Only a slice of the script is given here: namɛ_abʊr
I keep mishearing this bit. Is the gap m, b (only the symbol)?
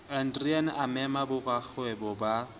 m